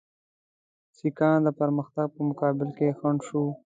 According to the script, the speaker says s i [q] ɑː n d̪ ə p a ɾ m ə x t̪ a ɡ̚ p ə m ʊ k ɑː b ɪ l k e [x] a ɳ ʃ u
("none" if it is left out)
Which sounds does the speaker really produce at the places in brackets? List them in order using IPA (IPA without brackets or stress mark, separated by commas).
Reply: k, x